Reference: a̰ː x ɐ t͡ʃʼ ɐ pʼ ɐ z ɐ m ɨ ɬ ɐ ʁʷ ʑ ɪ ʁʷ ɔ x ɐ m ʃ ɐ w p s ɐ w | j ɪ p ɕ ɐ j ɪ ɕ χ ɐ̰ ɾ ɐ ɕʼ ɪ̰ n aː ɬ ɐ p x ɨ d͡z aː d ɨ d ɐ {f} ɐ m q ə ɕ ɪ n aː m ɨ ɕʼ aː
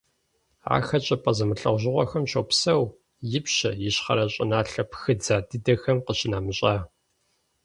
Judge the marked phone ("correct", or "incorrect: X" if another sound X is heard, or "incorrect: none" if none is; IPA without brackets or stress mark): incorrect: x